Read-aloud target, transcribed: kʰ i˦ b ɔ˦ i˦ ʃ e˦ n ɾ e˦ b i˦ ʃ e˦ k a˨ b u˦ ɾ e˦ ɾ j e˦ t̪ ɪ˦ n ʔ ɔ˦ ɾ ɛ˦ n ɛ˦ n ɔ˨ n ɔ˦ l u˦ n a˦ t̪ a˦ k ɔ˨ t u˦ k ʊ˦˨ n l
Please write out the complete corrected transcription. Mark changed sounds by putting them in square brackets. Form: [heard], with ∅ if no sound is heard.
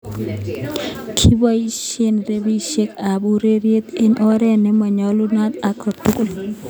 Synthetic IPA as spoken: kʰ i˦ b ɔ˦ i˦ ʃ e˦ n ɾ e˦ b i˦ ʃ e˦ k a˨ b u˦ ɾ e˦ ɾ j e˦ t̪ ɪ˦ n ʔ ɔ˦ ɾ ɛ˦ n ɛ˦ [m] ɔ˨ [ɲ] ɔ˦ l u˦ n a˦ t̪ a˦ k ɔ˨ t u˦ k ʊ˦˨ [∅] l